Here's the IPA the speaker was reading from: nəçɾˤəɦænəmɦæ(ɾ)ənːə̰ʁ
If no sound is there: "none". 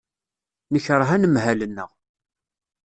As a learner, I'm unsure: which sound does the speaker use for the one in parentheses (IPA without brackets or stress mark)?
l